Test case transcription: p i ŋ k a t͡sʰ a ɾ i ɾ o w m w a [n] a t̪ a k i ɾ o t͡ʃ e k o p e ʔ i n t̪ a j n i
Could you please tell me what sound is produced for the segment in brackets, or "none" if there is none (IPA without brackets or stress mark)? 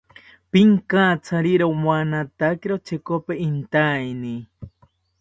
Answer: n